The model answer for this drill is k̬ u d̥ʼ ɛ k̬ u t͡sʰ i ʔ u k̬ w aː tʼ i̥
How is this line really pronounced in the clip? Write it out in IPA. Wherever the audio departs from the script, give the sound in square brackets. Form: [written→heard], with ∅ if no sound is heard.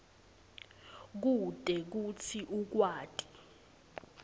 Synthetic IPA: k̬ u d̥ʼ ɛ k̬ u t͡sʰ i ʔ u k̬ w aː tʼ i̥